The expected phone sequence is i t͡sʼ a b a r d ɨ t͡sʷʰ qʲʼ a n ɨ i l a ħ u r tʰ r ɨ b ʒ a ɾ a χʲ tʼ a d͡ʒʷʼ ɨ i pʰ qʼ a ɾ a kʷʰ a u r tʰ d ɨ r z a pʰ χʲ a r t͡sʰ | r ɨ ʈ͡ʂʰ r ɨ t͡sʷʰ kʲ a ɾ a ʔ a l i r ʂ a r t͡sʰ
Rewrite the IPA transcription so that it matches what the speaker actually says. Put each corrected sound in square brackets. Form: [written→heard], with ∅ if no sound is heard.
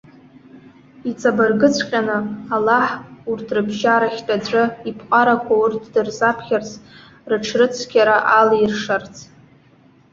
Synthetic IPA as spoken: i t͡sʼ a b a r [d→ɡ] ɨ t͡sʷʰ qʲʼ a n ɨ [i→a] l a ħ u r tʰ r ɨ b ʒ a ɾ a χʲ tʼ a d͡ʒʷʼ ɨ i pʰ qʼ a ɾ a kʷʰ a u r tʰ d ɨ r z a pʰ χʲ a r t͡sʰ | r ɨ ʈ͡ʂʰ r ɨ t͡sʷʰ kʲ a ɾ a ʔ a l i r ʂ a r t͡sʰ